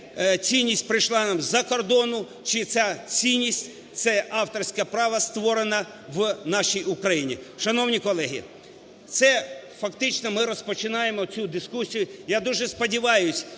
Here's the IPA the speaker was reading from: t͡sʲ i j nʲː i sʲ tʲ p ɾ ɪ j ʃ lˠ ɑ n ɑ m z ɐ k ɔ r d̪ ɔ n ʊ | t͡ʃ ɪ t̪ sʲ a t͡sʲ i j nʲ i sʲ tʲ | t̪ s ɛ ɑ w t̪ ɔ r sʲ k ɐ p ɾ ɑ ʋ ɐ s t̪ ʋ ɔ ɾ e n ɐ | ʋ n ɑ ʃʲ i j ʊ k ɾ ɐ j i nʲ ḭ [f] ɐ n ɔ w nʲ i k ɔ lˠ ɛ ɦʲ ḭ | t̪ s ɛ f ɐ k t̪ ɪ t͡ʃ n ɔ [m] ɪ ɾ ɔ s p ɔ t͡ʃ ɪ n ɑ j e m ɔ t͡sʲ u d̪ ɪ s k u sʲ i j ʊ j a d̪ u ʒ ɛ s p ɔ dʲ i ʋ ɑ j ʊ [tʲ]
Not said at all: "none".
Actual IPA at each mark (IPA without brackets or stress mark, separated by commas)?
ʃ, m, sʲ